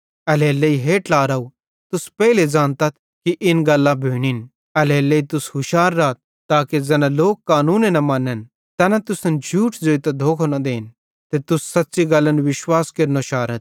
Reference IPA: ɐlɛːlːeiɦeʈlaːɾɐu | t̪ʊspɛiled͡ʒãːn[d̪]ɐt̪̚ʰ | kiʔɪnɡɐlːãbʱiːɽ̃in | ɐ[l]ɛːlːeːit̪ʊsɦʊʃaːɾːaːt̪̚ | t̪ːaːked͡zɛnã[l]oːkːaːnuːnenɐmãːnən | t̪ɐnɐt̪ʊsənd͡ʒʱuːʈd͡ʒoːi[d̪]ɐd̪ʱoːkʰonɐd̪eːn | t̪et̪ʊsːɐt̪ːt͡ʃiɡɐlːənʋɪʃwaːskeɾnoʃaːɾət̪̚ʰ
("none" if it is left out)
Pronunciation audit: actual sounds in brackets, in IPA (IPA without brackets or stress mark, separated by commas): t̪, l, l, t̪